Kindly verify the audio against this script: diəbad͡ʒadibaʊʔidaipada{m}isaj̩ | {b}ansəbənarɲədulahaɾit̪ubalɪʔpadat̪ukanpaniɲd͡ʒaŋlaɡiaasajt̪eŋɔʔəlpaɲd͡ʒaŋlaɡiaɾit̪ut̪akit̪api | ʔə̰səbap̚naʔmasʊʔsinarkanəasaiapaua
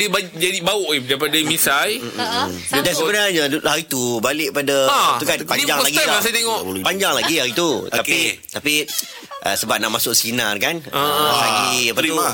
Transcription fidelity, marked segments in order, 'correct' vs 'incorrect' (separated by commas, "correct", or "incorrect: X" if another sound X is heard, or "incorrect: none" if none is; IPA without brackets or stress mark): correct, incorrect: d